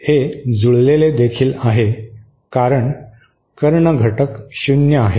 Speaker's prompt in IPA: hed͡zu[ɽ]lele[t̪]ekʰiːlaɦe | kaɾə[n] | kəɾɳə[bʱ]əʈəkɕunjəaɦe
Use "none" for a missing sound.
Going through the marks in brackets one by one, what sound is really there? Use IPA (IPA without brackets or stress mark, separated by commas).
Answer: ɭ, d̪, ɳ, ɡʱ